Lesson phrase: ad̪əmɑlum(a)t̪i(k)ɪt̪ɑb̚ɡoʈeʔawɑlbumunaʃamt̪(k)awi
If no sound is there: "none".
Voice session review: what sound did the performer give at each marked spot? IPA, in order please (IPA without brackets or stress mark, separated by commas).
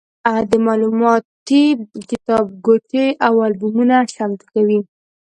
ɑ, k, k